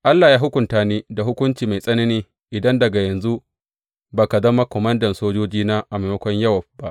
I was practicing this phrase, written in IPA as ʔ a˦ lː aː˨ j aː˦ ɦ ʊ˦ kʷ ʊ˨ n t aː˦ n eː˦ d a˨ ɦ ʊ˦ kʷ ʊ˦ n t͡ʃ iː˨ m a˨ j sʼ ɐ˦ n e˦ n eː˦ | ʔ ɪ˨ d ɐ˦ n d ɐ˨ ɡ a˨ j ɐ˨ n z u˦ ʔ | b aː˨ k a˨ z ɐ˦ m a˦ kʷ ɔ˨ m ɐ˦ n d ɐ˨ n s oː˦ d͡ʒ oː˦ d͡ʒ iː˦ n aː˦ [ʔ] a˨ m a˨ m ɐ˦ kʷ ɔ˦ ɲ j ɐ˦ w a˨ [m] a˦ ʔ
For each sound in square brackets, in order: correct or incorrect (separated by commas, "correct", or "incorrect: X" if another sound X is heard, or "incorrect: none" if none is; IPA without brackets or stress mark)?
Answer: correct, incorrect: b